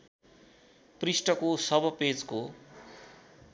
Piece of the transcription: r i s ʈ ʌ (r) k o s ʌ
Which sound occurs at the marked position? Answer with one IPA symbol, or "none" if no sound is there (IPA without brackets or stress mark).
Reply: none